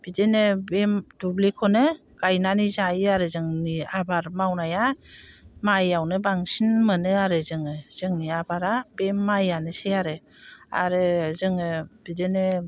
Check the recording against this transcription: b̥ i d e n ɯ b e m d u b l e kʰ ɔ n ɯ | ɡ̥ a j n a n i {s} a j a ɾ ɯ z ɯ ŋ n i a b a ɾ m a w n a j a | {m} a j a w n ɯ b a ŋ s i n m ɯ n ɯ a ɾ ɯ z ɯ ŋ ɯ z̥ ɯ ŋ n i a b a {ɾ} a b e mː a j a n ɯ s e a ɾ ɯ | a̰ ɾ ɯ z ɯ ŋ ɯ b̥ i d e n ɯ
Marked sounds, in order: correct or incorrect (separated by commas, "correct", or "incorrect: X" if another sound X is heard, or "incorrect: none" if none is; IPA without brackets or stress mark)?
incorrect: z, correct, correct